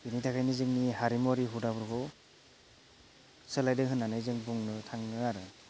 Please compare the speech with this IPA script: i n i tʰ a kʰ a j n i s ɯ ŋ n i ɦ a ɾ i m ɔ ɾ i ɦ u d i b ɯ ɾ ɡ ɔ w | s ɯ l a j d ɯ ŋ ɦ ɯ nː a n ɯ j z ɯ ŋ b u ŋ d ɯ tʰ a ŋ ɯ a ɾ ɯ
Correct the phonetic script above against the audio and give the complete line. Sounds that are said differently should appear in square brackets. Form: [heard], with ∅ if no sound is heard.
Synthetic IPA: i n i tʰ a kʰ a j n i [z] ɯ ŋ n i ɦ a ɾ i m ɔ ɾ i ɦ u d [a] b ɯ ɾ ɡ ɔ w | s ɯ l a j d ɯ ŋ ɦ ɯ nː a n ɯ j z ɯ ŋ b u ŋ [n] ɯ tʰ a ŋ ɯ a ɾ ɯ